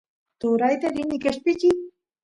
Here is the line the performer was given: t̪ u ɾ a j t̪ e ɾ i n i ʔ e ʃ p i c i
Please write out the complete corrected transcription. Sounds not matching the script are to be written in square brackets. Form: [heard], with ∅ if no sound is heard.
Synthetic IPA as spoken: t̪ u ɾ a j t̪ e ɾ i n i [k] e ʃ p i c i